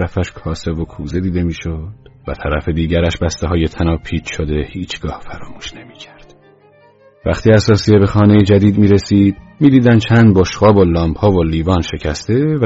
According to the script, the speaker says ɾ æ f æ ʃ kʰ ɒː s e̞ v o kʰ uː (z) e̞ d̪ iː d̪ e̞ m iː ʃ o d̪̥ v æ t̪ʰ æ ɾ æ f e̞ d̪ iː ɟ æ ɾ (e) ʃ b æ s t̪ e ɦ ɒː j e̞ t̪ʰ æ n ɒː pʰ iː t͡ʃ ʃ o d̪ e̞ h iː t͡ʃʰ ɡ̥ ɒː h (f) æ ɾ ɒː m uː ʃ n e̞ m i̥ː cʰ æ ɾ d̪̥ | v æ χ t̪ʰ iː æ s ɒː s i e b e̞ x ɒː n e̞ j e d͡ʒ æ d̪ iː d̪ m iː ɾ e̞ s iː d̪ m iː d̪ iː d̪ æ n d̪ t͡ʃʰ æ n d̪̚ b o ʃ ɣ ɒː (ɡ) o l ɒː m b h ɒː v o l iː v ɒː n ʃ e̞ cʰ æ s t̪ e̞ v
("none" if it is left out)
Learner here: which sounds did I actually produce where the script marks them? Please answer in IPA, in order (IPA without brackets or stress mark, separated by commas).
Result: z, æ, f, b